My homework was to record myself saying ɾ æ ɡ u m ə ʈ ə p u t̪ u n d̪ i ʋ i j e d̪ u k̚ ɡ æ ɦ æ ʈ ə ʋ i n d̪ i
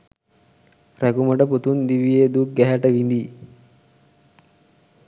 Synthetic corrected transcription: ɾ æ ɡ u m ə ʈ ə p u t̪ u n d̪ i ʋ i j e d̪ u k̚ ɡ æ ɦ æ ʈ ə ʋ i n d̪ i